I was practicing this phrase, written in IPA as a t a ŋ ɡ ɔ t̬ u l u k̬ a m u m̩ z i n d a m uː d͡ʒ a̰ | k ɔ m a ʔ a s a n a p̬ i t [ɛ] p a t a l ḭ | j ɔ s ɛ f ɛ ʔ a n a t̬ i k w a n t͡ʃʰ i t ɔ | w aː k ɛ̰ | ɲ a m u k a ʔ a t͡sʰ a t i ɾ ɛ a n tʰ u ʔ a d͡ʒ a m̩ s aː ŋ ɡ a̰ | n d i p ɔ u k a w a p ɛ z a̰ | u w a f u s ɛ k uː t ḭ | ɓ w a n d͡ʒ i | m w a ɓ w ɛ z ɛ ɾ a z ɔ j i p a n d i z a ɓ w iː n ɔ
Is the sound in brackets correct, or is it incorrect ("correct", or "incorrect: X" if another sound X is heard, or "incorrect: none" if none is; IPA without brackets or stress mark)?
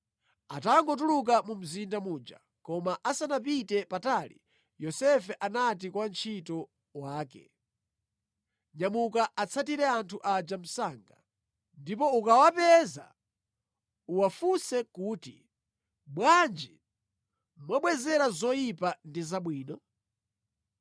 correct